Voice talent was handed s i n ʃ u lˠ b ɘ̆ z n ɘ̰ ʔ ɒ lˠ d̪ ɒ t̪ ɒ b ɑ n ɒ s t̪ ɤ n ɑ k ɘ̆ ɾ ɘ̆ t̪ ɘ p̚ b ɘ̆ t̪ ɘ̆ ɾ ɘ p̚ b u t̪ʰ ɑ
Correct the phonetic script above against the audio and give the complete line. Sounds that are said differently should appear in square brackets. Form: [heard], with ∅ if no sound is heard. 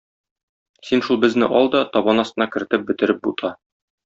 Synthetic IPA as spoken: s i n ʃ u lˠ b ɘ̆ z n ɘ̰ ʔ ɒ lˠ d̪ ɒ t̪ ɒ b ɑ n ɒ s t̪ ɤ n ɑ k ɘ̆ ɾ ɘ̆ t̪ ɘ p̚ b ɘ̆ t̪ ɘ̆ ɾ ɘ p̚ b u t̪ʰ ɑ